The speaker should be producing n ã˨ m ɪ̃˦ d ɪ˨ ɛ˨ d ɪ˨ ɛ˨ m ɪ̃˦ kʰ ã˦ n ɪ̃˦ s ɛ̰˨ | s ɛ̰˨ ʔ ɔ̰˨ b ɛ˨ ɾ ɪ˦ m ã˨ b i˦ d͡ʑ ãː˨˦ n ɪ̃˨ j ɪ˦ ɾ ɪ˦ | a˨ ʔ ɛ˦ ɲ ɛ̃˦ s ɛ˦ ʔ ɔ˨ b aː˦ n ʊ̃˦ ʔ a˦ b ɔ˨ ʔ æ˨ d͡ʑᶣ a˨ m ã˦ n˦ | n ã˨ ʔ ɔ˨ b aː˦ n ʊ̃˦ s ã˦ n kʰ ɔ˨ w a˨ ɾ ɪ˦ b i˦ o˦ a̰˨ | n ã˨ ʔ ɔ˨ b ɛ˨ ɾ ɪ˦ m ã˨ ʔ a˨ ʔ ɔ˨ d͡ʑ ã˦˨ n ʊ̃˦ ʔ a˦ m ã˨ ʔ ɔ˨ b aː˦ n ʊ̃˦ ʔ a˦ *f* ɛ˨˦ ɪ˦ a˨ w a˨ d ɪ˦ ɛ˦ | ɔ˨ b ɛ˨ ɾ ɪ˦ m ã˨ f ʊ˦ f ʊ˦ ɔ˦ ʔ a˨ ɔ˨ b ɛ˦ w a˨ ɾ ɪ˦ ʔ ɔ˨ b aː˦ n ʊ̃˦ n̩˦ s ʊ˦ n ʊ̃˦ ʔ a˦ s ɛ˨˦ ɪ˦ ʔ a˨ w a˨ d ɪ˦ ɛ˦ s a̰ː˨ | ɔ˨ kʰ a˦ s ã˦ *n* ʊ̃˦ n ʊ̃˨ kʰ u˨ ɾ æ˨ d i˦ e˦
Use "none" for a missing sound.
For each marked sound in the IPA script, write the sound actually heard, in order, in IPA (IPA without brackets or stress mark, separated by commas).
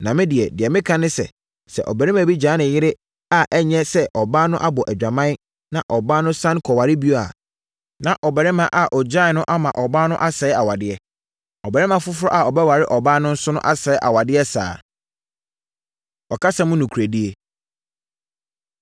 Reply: s, m